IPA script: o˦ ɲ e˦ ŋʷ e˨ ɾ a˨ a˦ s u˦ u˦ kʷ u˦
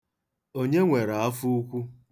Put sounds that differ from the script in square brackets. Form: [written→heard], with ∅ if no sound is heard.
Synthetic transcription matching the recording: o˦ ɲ e˦ ŋʷ e˨ ɾ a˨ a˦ [s→f] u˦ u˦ kʷ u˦